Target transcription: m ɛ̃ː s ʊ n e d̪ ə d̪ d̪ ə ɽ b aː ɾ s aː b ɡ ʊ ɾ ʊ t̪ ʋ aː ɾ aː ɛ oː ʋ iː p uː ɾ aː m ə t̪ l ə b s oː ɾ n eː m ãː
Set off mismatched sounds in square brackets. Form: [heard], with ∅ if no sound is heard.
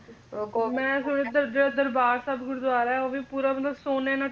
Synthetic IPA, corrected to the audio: m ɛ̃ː s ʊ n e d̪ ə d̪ d̪ ə [ɾ] b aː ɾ s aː b ɡ ʊ ɾ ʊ [d̪] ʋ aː ɾ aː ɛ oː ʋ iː p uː ɾ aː m ə t̪ l ə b s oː [∅] n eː [n] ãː